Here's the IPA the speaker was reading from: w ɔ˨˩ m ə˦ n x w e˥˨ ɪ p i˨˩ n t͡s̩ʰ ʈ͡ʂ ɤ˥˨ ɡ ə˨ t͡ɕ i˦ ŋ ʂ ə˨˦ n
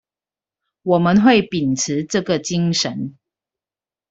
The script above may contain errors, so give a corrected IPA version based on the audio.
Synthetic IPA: w ɔ˨˩ m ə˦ n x w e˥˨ ɪ p i˨˩ n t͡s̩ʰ ʈ͡ʂ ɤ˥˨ ɡ ə˨ t͡ɕ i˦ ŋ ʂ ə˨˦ n